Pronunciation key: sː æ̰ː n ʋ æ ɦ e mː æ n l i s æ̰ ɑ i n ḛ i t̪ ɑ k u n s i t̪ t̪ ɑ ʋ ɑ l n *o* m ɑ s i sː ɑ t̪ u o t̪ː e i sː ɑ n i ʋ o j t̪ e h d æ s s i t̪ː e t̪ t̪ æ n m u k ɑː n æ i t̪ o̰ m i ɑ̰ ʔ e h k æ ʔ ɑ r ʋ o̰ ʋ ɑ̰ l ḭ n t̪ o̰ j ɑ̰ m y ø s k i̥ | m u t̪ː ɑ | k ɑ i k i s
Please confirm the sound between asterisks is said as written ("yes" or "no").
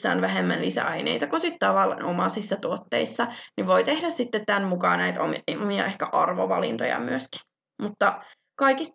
yes